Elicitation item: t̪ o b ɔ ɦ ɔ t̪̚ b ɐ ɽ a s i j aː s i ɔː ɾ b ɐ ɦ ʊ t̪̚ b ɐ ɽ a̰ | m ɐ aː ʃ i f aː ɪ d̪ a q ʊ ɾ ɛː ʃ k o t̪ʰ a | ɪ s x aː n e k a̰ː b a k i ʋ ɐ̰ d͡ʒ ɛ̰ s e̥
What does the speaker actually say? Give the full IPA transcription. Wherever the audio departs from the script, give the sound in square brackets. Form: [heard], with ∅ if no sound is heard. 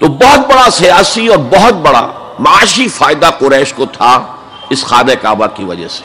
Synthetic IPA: t̪ o b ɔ ɦ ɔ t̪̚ b ɐ ɽ a s i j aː s i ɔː ɾ b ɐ ɦ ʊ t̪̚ b ɐ ɽ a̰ | m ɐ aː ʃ i f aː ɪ d̪ a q ʊ ɾ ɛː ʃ k o t̪ʰ a | ɪ s x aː n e k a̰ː b a k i ʋ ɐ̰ d͡ʒ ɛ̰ s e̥